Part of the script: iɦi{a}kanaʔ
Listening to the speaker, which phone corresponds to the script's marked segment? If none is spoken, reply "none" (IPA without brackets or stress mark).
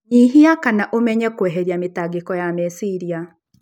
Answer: a